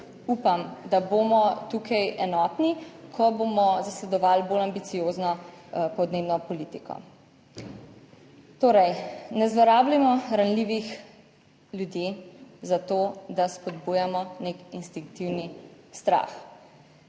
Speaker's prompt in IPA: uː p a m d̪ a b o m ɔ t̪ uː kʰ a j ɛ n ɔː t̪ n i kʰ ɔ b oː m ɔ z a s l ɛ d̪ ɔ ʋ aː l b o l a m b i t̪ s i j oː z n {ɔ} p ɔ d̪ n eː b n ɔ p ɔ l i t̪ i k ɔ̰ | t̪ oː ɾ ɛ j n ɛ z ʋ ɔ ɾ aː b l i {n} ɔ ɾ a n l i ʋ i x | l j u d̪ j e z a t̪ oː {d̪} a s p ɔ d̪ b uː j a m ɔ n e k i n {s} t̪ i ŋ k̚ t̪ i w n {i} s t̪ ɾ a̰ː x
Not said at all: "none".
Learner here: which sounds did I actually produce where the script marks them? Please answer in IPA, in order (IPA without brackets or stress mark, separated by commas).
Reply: ɔ, m, d̪, s, i